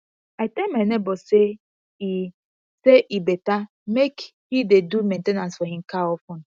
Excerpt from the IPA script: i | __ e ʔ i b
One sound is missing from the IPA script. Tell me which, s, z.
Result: s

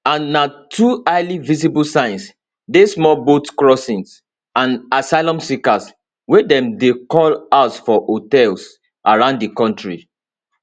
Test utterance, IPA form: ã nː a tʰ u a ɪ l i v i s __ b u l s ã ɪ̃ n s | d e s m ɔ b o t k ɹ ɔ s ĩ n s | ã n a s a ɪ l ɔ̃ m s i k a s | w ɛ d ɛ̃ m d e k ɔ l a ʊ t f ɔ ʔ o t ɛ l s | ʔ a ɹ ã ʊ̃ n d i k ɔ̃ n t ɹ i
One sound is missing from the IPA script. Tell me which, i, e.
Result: i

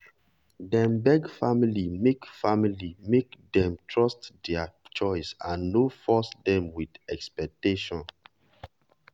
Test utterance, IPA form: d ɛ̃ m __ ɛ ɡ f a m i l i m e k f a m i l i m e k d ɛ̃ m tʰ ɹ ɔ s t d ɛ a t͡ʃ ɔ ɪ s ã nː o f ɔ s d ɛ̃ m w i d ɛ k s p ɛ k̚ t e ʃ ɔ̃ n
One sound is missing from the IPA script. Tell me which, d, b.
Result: b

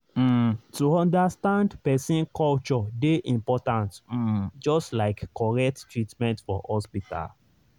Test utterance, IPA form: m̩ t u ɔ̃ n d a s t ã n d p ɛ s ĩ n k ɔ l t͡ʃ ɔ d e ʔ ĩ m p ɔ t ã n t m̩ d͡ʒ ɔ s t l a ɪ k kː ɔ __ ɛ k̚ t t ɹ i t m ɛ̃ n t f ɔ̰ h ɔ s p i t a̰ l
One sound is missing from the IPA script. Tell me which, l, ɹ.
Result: ɹ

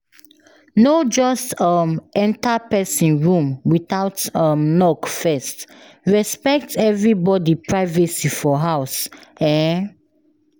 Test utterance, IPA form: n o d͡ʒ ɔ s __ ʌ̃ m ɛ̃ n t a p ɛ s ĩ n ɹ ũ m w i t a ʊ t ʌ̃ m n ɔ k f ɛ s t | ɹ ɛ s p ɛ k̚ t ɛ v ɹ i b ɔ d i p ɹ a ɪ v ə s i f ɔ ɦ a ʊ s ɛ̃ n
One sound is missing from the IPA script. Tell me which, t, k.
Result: t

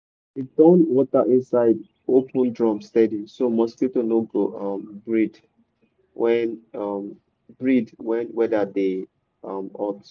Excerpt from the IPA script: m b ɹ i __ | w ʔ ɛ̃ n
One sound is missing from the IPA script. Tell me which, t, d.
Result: d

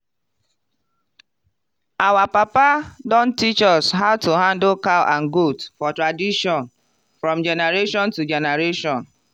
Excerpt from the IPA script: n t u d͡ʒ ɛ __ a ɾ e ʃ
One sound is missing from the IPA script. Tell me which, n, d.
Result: n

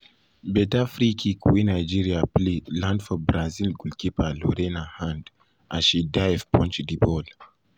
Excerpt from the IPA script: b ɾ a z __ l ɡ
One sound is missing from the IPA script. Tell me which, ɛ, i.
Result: i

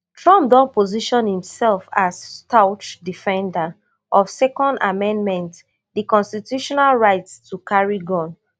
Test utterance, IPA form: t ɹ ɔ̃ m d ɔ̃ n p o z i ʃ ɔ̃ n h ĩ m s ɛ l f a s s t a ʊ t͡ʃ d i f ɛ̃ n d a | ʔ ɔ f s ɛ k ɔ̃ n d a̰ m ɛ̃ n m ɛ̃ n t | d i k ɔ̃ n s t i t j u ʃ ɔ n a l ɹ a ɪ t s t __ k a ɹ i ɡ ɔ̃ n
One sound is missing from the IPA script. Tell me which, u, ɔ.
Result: u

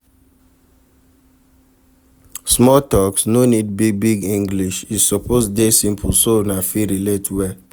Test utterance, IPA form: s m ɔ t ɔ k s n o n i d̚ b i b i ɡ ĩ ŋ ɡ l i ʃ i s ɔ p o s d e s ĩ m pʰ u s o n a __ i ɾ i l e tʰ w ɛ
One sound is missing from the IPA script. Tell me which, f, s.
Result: f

